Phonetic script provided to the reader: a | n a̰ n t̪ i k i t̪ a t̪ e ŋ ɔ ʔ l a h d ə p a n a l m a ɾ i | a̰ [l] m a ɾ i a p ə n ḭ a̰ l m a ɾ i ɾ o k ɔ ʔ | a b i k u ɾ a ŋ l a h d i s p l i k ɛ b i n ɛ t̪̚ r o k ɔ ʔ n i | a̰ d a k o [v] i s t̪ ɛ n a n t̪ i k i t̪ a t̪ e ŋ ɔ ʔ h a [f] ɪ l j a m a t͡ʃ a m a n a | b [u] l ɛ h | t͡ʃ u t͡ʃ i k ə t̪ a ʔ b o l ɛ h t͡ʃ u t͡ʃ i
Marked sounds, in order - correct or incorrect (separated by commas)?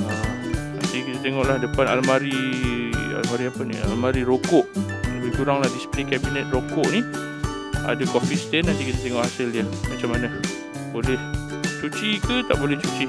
correct, incorrect, incorrect, incorrect